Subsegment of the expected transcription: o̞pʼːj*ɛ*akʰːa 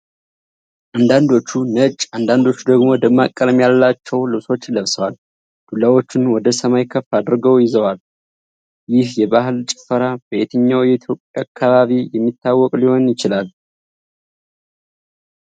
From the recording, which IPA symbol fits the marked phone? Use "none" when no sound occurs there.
a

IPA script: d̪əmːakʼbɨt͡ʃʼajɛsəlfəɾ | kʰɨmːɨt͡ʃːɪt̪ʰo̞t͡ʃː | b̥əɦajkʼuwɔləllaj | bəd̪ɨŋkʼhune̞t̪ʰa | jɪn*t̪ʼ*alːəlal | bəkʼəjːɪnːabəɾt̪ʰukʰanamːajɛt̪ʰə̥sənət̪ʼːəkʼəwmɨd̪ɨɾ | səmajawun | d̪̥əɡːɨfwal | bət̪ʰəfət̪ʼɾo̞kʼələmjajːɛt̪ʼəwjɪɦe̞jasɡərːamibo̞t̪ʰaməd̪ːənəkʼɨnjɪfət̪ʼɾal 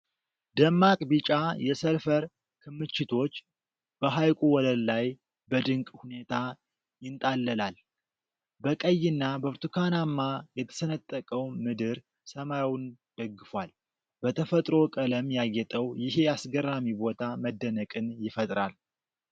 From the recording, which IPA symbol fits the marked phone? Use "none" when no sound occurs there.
t̪ʼ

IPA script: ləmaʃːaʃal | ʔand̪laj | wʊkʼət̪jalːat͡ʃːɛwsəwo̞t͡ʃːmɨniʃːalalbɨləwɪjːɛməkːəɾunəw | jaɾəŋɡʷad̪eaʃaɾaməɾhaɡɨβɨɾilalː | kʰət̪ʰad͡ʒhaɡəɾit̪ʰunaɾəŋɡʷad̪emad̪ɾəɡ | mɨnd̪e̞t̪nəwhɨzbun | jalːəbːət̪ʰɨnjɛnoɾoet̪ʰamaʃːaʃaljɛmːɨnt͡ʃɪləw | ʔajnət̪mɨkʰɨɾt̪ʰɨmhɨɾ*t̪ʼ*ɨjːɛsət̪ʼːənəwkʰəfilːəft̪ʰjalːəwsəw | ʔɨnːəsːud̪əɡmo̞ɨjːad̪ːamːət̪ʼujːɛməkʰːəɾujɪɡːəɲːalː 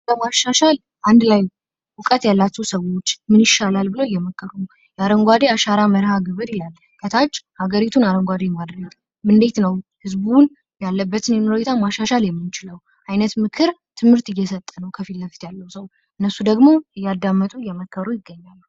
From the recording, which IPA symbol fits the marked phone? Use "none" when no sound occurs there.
t̪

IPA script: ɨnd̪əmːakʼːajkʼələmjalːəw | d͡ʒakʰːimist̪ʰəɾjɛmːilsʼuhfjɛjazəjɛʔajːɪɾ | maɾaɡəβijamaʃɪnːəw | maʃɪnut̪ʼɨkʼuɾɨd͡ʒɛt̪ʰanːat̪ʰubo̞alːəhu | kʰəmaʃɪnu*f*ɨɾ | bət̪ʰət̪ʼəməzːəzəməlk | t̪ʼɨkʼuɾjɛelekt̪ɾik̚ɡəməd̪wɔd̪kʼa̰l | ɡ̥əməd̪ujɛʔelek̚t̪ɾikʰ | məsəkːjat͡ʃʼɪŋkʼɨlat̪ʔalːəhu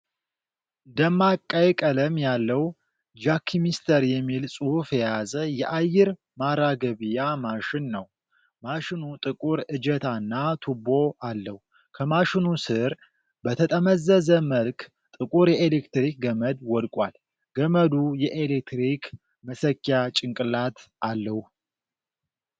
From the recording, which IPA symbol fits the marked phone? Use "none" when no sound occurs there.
s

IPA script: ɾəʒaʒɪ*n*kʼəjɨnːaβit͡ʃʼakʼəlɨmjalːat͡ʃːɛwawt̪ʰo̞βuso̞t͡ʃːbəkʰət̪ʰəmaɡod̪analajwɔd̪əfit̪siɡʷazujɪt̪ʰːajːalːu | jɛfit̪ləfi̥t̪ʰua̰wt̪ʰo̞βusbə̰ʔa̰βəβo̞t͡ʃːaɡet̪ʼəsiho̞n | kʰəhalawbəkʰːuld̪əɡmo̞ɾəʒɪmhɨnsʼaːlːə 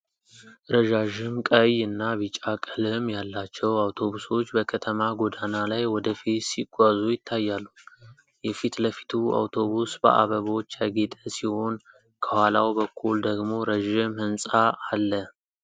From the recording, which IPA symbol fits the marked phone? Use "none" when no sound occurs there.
m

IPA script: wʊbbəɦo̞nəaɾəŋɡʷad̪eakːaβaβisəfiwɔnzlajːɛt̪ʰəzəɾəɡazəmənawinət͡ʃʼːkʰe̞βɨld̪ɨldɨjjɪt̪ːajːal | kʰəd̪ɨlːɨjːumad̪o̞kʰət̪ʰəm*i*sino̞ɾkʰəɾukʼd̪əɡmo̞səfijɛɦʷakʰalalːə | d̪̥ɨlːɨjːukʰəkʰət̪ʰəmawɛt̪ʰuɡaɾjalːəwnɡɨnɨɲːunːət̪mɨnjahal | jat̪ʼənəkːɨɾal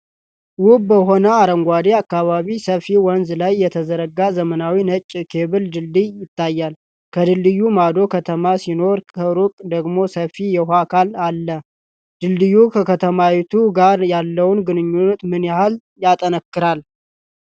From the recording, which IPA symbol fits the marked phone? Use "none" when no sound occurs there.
a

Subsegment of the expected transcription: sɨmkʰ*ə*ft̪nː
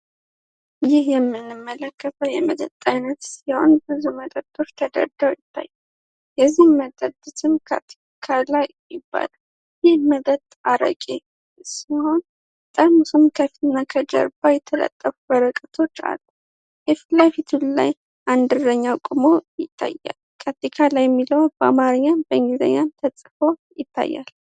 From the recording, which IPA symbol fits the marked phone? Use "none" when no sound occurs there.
ə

